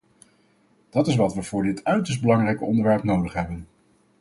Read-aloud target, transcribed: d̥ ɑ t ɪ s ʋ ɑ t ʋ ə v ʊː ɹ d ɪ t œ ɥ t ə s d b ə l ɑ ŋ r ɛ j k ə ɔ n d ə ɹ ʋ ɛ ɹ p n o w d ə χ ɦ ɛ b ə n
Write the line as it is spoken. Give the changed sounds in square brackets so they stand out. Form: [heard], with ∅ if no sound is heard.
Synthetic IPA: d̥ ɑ t ɪ s ʋ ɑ t ʋ ə v ʊː ɹ d ɪ t œ ɥ t ə s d b ə l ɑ ŋ r ɛ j k ə ɔ n d ə ɹ ʋ ɛ ɹ p n o w d ə χ ɦ ɛ b ə n